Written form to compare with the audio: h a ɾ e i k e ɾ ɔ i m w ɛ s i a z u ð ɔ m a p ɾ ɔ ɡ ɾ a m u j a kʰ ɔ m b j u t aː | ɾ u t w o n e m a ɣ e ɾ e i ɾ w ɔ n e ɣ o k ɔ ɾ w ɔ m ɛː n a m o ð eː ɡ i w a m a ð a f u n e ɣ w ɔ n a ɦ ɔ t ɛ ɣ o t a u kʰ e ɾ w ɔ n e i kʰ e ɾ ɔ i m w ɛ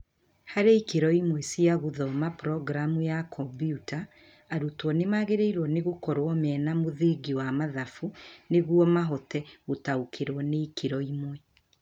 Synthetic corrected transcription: h a ɾ e i k e ɾ ɔ i m w ɛ s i a ɣ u ð ɔ m a p ɾ ɔ ɡ ɾ a m u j a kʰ ɔ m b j u t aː | ɾ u t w ɔ n e m a ɣ e ɾ e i ɾ w ɔ n e ɣ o k ɔ ɾ w ɔ m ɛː n a m o ð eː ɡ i w a m a ð a f u n e ɣ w ɔ m a ɦ ɔ t ɛ ɣ o t a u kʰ e ɾ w ɔ n e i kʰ e ɾ ɔ i m w ɛ